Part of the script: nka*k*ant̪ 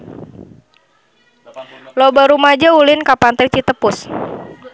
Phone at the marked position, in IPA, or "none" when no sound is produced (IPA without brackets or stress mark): p